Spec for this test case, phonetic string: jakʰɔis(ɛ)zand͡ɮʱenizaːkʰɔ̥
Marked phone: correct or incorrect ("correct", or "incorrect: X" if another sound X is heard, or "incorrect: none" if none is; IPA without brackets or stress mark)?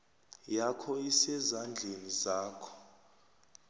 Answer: correct